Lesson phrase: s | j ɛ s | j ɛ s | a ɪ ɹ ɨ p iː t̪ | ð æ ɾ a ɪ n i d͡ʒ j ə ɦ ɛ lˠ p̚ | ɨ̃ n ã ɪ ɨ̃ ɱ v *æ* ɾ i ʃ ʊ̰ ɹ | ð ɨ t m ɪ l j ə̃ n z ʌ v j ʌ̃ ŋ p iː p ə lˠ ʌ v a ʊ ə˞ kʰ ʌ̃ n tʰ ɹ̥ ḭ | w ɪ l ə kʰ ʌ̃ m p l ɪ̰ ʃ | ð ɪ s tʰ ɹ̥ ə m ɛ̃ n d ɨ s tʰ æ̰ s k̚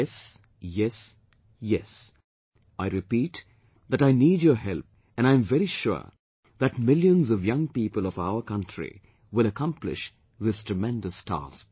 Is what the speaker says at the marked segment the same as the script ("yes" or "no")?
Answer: no